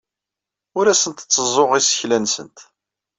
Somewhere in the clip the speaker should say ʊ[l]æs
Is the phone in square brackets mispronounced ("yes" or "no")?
yes